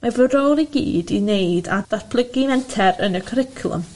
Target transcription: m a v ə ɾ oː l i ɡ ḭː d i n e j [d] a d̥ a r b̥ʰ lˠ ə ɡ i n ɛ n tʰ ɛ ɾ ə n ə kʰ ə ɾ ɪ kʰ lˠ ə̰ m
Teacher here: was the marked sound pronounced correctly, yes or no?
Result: yes